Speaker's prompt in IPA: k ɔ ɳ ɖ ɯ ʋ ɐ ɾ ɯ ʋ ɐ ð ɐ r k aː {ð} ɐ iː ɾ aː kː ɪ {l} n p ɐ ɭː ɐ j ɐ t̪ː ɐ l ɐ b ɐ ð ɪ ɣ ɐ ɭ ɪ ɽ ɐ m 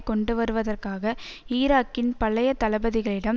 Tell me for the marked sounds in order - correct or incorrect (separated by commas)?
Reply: incorrect, incorrect